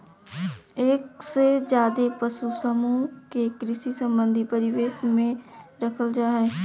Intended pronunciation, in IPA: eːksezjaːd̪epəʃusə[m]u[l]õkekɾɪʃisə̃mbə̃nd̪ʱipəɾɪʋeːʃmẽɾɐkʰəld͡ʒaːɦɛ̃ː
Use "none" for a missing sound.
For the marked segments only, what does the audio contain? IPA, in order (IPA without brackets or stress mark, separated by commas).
m, none